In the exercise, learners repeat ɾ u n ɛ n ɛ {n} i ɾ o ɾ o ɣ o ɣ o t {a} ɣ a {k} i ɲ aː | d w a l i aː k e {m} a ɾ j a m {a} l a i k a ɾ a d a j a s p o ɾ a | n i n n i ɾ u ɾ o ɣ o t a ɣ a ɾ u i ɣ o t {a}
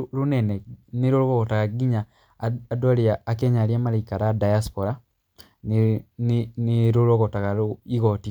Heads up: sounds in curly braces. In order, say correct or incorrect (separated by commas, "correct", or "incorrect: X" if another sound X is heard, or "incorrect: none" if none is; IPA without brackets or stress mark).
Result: correct, correct, incorrect: ɡ, incorrect: ɲ, correct, incorrect: i